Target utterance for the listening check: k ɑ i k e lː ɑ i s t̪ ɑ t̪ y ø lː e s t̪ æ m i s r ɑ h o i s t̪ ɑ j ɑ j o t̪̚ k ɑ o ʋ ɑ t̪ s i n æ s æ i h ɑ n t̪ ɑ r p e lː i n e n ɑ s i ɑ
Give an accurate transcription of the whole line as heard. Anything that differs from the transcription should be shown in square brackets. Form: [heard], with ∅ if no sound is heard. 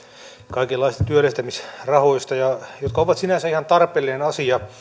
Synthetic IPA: k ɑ i k e lː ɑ i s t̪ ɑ t̪ y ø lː e s t̪ æ m i s r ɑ h o i s t̪ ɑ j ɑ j o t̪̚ k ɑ o ʋ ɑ t̪ s i n æ s æ i h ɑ n t̪ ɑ r p e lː i n e n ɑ s i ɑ